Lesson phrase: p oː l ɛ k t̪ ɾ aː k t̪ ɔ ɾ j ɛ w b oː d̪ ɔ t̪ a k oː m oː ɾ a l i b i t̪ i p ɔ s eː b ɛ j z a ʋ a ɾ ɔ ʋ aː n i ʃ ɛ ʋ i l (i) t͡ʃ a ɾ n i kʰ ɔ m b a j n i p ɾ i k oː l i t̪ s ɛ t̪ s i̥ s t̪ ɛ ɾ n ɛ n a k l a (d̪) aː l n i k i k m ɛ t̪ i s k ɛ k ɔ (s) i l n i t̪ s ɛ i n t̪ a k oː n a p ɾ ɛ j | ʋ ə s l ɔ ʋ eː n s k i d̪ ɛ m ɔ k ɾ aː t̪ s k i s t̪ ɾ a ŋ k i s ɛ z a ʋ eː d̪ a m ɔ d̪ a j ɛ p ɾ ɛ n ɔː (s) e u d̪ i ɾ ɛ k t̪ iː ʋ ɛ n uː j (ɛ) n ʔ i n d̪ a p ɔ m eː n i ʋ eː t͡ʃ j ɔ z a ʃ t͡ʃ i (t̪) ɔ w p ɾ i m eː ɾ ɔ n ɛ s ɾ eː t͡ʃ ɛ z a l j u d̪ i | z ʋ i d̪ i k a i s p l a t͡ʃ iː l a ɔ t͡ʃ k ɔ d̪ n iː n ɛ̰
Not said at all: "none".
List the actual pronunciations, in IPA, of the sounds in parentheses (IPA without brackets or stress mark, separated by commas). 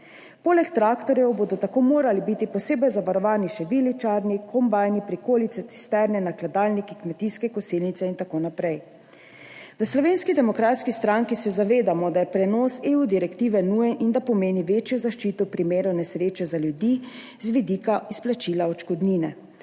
i, d̪, s, s, ɛ, t̪